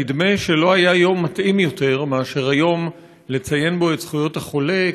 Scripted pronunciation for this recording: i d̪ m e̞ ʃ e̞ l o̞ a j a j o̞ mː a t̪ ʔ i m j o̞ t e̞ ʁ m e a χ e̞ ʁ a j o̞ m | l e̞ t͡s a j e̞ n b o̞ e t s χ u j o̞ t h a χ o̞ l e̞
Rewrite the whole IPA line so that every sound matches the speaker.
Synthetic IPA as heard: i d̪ m e̞ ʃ e̞ l o̞ a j a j o̞ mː a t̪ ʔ i m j o̞ t e̞ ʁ m e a ʃ e̞ ʁ a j o̞ m | l e̞ t͡s a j e̞ n b o̞ e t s χ u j o̞ t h a χ o̞ l e̞